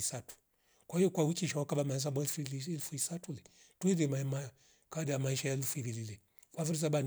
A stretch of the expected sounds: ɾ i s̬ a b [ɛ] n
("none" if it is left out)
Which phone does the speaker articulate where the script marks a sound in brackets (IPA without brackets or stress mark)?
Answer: a